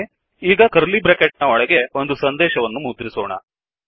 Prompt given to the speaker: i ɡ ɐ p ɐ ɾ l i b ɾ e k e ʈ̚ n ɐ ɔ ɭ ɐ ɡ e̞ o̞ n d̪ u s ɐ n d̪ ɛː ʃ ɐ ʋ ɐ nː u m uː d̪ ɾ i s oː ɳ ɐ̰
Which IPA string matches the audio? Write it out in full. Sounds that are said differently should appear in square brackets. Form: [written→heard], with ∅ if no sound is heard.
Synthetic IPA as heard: [i→iː] ɡ ɐ [p→k] ɐ ɾ l i b ɾ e k e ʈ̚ n ɐ ɔ ɭ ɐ ɡ e̞ o̞ n d̪ u s ɐ n d̪ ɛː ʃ ɐ ʋ ɐ nː u m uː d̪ ɾ i s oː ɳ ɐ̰